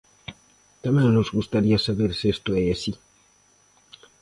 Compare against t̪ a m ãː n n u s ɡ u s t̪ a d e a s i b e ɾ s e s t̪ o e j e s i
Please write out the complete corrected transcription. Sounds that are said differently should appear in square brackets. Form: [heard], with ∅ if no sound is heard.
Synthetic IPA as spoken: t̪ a m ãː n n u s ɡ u s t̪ a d [i] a s [a] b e ɾ s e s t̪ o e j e s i